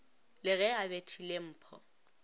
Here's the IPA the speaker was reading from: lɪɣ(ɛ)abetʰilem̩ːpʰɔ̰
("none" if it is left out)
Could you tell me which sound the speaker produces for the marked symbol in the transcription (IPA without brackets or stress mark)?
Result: ɛ